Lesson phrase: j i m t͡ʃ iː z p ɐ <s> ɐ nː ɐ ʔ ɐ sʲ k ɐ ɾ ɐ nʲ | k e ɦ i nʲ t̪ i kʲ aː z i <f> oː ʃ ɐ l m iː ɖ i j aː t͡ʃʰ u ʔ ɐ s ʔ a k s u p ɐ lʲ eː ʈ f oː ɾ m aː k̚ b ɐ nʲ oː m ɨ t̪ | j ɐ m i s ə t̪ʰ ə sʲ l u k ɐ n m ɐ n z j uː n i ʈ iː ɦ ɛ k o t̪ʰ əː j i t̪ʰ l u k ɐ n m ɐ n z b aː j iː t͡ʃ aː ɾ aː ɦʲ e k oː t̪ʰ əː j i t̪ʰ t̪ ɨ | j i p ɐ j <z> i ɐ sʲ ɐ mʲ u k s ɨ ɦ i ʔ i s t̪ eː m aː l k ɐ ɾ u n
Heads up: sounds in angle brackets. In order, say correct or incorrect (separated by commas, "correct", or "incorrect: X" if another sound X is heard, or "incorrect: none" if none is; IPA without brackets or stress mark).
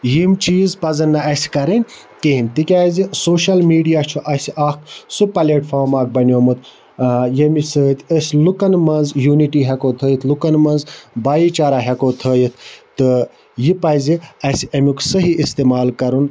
incorrect: z, incorrect: s, correct